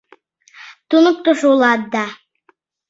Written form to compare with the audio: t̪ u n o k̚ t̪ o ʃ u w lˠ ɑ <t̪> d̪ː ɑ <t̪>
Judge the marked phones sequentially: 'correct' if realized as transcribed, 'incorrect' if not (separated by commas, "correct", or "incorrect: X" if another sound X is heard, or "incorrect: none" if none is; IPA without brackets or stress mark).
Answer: incorrect: none, incorrect: none